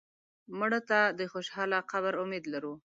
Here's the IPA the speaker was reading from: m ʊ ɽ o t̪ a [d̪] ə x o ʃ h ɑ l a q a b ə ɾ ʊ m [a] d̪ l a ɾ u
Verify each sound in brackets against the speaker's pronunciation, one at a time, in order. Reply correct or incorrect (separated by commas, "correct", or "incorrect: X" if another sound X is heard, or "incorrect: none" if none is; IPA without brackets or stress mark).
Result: correct, incorrect: e